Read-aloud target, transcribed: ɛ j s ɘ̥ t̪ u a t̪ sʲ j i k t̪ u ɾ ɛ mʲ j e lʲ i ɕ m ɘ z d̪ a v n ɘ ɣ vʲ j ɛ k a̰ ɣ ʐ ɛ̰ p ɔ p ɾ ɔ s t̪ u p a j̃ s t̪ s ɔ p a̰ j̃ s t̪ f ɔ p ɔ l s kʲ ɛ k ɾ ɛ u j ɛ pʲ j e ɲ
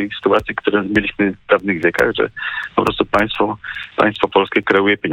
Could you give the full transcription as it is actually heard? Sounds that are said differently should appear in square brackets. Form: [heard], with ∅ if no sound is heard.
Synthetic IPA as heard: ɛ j s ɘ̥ t̪ u a t̪ sʲ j i k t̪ u ɾ ɛ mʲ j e lʲ i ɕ m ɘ [v] d̪ a v n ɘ ɣ vʲ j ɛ k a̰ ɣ ʐ ɛ̰ p ɔ p ɾ ɔ s t̪ u p a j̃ s t̪ [f] ɔ p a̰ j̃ s t̪ f ɔ p ɔ l s kʲ ɛ k ɾ ɛ u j ɛ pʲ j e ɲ